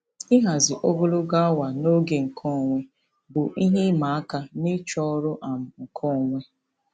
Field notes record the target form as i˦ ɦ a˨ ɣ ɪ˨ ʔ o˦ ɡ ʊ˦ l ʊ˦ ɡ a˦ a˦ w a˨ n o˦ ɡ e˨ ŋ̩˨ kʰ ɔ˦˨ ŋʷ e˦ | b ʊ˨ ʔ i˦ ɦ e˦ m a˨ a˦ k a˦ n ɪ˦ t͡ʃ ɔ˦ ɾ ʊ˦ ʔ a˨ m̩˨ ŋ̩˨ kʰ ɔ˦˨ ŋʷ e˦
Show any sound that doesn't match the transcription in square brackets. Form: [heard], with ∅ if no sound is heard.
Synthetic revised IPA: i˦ ɦ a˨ [z] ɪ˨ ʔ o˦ ɡ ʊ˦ l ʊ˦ ɡ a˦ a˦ w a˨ n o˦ ɡ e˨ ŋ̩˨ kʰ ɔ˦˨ ŋʷ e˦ | b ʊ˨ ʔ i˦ ɦ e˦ m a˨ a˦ k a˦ n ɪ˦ t͡ʃ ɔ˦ ɾ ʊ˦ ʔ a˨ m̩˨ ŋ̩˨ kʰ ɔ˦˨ ŋʷ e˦

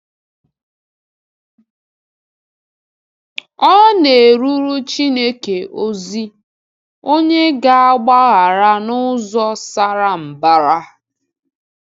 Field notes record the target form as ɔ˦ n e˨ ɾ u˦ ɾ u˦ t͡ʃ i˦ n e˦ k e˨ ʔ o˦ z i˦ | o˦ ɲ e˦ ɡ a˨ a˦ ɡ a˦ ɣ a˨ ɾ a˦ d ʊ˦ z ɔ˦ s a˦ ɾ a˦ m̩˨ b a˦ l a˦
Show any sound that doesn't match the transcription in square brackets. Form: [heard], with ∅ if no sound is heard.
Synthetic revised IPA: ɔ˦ n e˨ ɾ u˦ ɾ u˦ t͡ʃ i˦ n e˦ k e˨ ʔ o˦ z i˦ | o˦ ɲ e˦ ɡ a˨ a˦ [ɡ͡b] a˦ ɣ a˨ ɾ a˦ [n] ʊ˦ z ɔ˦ s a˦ ɾ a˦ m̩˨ b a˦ [ɾ] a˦

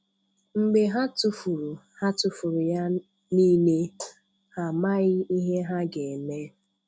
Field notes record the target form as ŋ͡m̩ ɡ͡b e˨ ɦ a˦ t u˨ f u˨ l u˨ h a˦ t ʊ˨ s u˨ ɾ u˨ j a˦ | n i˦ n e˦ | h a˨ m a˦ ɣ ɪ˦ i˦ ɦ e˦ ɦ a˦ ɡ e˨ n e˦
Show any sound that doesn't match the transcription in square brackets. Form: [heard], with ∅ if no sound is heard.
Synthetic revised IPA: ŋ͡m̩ ɡ͡b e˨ ɦ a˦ t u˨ f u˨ [ɾ] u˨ h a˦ t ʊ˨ [f] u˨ ɾ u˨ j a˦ | n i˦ n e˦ | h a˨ m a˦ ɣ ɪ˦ i˦ ɦ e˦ ɦ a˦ ɡ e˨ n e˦

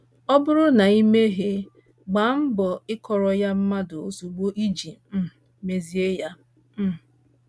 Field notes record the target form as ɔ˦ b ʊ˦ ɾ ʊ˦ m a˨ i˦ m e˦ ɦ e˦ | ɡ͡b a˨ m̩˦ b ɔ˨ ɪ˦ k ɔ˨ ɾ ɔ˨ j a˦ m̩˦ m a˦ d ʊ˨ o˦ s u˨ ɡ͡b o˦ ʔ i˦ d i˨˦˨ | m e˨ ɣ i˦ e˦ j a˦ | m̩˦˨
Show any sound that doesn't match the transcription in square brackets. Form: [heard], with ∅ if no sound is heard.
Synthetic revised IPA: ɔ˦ b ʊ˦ ɾ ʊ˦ [n] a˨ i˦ m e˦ ɦ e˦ | ɡ͡b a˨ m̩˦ b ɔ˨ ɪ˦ k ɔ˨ ɾ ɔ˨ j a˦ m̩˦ m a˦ d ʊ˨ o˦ s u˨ ɡ͡b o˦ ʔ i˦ [d͡ʒ] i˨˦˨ | m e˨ [z] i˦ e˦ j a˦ | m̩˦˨

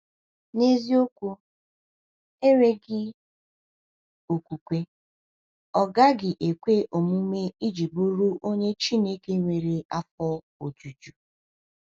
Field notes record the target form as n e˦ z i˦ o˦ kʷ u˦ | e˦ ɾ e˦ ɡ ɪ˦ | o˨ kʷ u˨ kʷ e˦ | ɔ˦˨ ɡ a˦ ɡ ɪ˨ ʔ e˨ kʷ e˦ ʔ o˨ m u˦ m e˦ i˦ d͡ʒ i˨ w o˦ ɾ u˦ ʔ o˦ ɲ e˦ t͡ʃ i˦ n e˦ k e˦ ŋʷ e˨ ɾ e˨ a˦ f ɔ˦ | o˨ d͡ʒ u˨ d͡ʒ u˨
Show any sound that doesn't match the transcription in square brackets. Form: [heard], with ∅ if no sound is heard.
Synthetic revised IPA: n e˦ z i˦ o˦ kʷ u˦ | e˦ ɾ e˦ ɡ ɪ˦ | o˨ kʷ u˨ kʷ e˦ | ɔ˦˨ ɡ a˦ ɡ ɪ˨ ʔ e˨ kʷ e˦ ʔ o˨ m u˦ m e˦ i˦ d͡ʒ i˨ [b] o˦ ɾ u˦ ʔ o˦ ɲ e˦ t͡ʃ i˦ n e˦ k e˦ ŋʷ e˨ ɾ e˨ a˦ f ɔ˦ | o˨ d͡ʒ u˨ d͡ʒ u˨

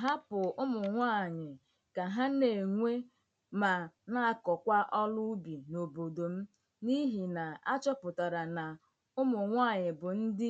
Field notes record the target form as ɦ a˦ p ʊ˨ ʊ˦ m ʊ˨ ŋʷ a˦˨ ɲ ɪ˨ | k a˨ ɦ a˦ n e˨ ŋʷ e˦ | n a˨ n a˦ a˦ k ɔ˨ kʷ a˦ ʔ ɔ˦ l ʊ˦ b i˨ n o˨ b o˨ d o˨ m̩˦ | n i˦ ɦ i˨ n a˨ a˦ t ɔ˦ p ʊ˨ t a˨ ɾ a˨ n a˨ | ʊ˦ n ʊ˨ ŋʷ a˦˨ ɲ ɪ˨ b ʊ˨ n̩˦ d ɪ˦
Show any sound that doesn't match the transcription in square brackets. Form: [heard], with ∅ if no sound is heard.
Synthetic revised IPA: ɦ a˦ p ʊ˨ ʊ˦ m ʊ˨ ŋʷ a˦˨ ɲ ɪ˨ | k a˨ ɦ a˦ n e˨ ŋʷ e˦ | [m] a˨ n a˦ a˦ k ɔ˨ kʷ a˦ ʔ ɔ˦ l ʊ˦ b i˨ n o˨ b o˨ d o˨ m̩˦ | n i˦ ɦ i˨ n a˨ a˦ [t͡ʃ] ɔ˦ p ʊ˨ t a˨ ɾ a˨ n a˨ | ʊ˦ [m] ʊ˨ ŋʷ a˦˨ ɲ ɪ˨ b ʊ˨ n̩˦ d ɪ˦

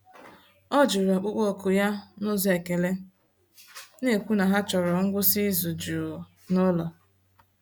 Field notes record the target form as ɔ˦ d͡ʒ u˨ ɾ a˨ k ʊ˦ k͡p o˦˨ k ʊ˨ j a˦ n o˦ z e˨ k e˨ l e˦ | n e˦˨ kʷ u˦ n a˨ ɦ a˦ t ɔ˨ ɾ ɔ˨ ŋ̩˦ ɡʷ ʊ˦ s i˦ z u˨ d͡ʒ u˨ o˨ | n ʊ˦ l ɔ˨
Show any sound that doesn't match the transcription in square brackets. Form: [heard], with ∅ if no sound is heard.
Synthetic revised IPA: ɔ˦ d͡ʒ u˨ ɾ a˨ [k͡p] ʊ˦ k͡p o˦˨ k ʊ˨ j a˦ n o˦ z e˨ k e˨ l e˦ | n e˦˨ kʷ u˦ n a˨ ɦ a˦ [t͡ʃ] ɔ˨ ɾ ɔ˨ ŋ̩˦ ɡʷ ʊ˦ s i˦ z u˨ d͡ʒ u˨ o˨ | n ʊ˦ l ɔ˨

